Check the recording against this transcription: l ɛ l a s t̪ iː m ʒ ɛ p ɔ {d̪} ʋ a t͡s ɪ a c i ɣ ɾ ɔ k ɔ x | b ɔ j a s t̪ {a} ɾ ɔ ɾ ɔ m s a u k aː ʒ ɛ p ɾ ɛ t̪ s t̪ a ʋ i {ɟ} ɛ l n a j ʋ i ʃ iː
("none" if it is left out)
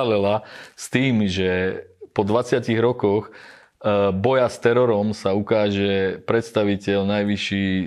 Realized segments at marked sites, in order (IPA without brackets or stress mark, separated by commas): d̪, ɛ, c